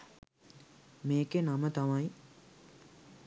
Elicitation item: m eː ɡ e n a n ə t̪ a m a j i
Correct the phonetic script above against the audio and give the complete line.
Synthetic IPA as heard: m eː k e n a m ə t̪ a m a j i

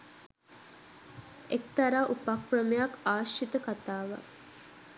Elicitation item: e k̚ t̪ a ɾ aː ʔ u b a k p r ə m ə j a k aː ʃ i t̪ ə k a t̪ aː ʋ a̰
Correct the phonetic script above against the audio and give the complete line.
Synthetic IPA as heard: e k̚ t̪ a ɾ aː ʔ u p a k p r ə m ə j a k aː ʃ i t̪ ə k a t̪ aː ʋ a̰

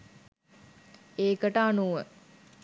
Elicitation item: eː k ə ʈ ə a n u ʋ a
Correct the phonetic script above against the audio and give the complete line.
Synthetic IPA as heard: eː k ə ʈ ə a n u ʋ ə

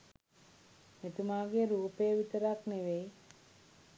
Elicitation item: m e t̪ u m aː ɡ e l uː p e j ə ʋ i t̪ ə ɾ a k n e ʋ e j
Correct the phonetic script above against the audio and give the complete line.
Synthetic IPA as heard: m e t̪ u m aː ɡ e ɾ uː p e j ə ʋ i t̪ ə ɾ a k n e ʋ e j

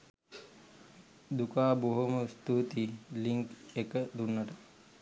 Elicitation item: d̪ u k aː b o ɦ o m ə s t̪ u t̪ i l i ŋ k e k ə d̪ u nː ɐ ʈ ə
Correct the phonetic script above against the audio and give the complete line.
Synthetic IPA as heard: d̪ u k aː b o ɦ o m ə s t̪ u t̪ i l i ŋ k e k ə d̪ u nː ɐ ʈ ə

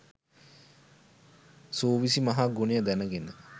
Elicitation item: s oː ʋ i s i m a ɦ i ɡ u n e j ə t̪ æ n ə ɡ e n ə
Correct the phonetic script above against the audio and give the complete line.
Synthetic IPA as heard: s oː ʋ i s i m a ɦ a ɡ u n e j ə d̪ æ n ə ɡ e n ə

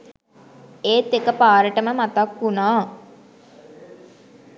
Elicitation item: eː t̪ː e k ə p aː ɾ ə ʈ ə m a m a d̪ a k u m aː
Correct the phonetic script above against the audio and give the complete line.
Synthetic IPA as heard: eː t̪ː e k ə p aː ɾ ə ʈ ə m ə m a t̪ a k u n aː

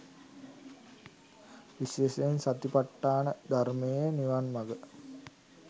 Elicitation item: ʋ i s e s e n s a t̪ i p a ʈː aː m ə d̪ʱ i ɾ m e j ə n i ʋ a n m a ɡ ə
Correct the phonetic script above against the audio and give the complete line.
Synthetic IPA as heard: ʋ i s e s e n s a t̪ i p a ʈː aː n ə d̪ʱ a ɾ m e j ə n i ʋ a n m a ɡ ə

